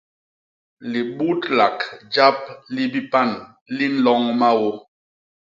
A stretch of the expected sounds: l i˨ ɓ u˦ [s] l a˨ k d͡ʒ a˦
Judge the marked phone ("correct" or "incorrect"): incorrect